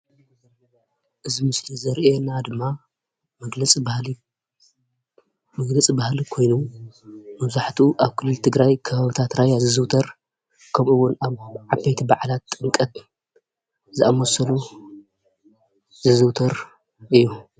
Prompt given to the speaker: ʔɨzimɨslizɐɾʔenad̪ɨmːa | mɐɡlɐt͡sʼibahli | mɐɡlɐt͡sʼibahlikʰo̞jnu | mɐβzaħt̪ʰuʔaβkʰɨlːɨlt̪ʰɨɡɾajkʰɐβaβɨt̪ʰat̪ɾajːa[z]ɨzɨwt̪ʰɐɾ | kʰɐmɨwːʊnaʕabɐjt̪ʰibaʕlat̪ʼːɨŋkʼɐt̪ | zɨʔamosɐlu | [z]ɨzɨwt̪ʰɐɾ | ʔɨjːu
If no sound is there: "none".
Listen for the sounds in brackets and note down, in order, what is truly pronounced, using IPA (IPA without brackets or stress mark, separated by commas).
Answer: z, z